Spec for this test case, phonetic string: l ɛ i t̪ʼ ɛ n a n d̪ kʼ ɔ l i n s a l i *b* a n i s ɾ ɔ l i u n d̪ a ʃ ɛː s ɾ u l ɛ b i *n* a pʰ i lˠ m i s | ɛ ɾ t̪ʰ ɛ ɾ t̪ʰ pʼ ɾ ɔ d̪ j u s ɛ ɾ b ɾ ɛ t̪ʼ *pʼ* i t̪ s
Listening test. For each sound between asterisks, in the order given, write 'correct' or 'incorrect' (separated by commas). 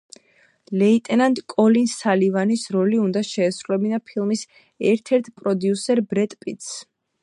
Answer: incorrect, correct, correct